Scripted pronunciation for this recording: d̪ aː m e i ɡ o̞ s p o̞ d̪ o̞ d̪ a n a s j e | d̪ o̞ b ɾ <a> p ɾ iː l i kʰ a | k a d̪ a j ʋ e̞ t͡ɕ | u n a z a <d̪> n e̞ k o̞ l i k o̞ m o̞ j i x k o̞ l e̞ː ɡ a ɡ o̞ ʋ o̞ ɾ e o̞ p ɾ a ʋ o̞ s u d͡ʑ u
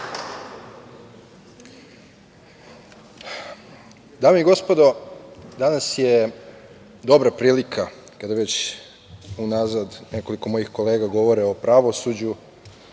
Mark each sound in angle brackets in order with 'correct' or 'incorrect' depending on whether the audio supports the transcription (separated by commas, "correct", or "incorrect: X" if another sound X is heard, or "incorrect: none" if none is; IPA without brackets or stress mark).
correct, correct